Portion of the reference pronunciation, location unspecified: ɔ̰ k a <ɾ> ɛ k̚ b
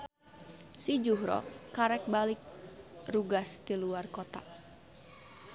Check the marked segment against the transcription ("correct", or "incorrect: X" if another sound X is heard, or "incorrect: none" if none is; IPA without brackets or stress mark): correct